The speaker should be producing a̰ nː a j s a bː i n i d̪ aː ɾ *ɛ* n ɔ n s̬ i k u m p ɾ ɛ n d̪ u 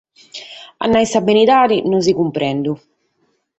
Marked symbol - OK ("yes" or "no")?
no